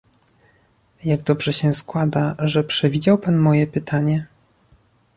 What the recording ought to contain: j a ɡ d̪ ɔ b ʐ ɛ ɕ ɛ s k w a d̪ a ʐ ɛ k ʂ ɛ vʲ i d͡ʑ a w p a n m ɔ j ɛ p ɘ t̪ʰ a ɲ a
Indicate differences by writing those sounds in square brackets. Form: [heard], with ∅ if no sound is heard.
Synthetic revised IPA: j a ɡ d̪ ɔ b ʐ ɛ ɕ ɛ s k w a d̪ a ʐ ɛ [p] ʂ ɛ vʲ i d͡ʑ a w p a n m ɔ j ɛ p ɘ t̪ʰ a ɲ [ɛ]